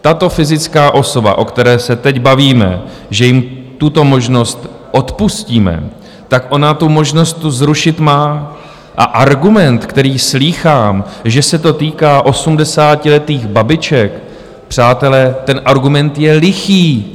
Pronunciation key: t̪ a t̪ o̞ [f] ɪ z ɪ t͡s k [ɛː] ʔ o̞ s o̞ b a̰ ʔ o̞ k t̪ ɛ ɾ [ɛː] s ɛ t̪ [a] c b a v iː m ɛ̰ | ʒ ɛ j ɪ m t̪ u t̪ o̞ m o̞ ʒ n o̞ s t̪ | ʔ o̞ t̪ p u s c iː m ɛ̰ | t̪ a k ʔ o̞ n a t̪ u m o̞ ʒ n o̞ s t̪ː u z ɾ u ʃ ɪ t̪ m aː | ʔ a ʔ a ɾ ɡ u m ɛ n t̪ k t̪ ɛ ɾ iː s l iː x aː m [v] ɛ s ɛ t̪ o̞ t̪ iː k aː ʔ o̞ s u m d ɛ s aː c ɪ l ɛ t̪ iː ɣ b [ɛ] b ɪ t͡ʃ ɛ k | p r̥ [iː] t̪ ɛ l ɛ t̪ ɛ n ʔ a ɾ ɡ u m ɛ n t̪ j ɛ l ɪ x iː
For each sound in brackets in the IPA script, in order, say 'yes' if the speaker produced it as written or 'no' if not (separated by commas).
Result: yes, no, yes, no, no, no, no